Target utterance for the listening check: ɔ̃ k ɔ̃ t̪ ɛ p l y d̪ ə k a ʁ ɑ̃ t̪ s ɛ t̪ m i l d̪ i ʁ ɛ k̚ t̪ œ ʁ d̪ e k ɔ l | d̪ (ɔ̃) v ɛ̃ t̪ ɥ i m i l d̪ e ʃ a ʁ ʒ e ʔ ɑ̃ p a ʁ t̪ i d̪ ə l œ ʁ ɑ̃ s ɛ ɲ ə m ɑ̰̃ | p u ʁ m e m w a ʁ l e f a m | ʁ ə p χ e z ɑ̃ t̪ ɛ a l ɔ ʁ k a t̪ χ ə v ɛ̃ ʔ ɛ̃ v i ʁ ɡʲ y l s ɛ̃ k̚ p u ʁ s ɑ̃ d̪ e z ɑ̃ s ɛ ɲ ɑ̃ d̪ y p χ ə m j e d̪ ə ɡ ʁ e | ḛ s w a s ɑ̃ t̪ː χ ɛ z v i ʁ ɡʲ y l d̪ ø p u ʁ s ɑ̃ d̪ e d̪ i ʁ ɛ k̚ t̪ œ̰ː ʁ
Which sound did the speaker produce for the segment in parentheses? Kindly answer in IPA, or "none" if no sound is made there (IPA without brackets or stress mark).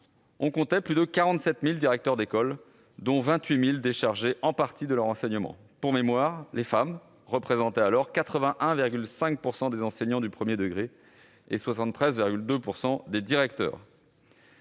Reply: ɔ̃